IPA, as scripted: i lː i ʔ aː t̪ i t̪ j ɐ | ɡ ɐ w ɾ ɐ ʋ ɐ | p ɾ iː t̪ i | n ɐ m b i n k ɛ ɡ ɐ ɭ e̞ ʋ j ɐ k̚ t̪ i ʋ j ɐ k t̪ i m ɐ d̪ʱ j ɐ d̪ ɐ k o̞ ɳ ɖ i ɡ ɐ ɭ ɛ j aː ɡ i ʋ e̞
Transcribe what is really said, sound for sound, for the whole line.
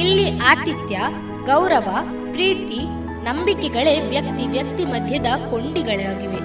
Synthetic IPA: i lː i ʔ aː t̪ i t̪ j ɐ | ɡ ɐ w ɾ ɐ ʋ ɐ | p ɾ iː t̪ i | n ɐ m b i k ɛ ɡ ɐ ɭ e̞ ʋ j ɐ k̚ t̪ i ʋ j ɐ k t̪ i m ɐ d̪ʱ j ɐ d̪ ɐ k o̞ ɳ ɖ i ɡ ɐ ɭ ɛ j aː ɡ i ʋ e̞